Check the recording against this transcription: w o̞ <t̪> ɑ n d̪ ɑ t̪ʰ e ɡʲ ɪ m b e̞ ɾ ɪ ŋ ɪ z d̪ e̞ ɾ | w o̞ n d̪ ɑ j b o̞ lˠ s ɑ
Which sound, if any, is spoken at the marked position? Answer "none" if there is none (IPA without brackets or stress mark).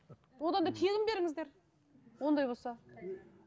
d̪